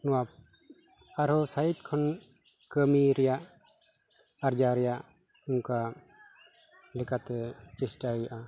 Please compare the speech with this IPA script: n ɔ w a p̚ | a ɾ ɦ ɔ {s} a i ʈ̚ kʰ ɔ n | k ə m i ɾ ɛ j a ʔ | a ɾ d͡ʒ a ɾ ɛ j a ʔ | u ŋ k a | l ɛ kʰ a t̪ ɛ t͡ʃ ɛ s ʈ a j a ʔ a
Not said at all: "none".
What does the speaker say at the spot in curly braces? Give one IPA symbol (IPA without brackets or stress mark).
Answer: s